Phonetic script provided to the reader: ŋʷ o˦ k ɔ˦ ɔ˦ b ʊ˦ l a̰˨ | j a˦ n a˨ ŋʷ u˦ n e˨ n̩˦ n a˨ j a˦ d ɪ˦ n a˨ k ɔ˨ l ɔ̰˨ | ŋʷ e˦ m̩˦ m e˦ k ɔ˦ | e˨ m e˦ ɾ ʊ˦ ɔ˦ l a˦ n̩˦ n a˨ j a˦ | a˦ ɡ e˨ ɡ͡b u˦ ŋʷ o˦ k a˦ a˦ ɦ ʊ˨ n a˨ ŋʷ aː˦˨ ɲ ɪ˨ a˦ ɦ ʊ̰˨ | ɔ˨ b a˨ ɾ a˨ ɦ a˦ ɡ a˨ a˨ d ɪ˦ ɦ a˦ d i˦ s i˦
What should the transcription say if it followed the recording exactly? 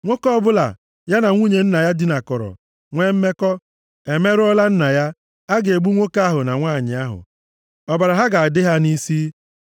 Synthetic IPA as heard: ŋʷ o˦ k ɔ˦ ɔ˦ b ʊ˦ l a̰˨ | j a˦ n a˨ ŋʷ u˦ ɲ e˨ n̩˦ n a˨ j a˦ d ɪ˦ n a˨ k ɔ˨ ɾ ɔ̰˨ | ŋʷ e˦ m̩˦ m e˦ k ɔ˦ | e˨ m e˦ ɾ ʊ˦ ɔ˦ l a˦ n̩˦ n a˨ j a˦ | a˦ ɡ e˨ ɡ͡b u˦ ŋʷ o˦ k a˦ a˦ ɦ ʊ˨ n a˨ ŋʷ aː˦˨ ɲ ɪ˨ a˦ ɦ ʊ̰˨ | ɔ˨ b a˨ ɾ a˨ ɦ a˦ ɡ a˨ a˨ d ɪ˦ ɦ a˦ n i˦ s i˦